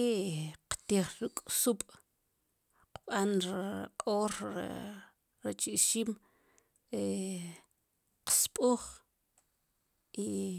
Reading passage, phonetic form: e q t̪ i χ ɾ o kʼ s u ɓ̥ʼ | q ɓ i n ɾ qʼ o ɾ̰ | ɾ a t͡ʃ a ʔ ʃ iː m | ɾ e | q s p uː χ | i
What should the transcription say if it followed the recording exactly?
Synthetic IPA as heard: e q t̪ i χ ɾ u kʼ s u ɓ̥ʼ | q ɓ a n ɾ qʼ o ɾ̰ | ɾ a t͡ʃ i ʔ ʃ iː m | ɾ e | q s pʼ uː χ | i